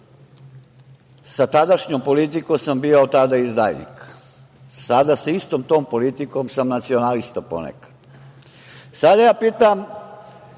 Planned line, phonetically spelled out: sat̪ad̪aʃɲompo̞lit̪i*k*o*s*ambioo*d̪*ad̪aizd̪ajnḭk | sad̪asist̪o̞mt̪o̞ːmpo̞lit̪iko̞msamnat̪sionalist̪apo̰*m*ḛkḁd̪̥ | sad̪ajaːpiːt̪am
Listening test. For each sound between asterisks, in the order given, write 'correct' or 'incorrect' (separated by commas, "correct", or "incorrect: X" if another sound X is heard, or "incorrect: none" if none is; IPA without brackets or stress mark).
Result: correct, correct, incorrect: t̪, incorrect: n